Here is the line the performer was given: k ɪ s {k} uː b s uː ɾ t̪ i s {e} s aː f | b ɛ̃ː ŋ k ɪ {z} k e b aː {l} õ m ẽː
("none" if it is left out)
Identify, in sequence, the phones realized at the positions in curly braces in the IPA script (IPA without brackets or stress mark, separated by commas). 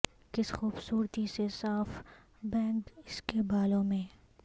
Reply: x, e, s, l